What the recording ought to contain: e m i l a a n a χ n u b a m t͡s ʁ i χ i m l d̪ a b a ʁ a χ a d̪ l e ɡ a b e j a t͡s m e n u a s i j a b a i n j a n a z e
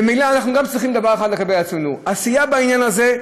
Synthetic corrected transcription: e m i l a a n a χ n u ɡ a m t͡s ʁ i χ i m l d̪ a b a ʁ e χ a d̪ l e ɡ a b e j a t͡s m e n u a s i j a b a i n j a n a z e